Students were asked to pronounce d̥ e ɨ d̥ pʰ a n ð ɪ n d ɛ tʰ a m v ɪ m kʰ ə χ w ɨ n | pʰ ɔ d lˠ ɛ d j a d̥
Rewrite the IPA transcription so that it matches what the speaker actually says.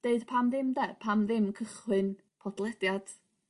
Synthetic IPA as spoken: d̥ e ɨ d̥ pʰ a m ð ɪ m d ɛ pʰ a m ð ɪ m kʰ ə χ w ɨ n | pʰ ɔ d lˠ ɛ d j a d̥